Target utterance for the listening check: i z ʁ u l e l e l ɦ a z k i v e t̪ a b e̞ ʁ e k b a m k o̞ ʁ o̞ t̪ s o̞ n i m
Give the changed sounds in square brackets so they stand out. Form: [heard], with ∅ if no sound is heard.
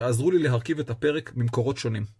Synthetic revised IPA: [a] z ʁ u l [i] l e [∅] ɦ a [ʁ] k i v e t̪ a [p] e̞ ʁ e k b [i] m k o̞ ʁ o̞ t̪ [ʃ] o̞ n i m